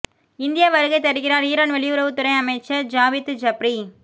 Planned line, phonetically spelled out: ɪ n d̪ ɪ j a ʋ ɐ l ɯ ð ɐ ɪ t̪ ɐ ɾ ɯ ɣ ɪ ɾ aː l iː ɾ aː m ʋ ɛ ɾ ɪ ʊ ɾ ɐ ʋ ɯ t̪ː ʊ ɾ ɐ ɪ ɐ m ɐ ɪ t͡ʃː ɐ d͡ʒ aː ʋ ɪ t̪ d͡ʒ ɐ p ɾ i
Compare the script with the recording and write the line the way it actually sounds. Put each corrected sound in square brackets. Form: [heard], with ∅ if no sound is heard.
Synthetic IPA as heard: ɪ n d̪ ɪ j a ʋ ɐ [ɾ] ɯ [ɣ] ɐ ɪ t̪ ɐ ɾ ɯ ɣ ɪ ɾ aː [ɾ] iː ɾ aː [n] ʋ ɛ [ɭ] ɪ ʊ ɾ ɐ ʋ ɯ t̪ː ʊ ɾ ɐ ɪ ɐ m ɐ ɪ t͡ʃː ɐ d͡ʒ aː ʋ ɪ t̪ d͡ʒ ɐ p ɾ i